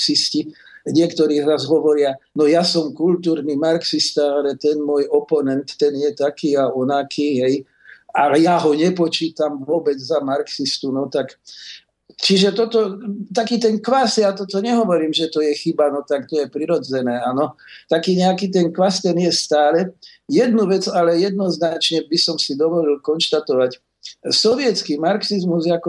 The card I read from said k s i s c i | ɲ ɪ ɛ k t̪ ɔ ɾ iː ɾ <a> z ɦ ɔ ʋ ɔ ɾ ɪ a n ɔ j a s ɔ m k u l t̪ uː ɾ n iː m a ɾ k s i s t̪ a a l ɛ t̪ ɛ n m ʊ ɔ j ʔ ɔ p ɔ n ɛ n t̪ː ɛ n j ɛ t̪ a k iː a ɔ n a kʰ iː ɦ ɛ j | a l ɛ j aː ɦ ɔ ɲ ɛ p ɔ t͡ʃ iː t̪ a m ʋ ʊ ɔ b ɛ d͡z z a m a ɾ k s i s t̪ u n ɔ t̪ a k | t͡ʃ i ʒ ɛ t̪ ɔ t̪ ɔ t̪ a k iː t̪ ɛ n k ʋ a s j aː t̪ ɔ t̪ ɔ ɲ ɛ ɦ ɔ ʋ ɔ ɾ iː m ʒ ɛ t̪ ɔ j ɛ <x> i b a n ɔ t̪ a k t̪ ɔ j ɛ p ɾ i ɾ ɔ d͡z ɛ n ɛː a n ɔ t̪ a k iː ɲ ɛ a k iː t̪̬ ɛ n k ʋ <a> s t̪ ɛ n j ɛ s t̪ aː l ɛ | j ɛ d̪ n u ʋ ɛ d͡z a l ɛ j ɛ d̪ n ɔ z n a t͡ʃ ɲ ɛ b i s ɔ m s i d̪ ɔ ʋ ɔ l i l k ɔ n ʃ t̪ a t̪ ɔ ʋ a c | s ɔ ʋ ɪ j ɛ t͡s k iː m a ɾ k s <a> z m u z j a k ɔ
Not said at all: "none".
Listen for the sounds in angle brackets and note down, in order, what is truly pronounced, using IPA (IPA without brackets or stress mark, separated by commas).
a, x, a, i